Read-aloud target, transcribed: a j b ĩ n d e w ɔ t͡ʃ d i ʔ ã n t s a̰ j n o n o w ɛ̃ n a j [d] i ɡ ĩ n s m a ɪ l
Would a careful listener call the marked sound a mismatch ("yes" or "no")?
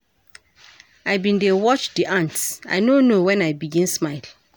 yes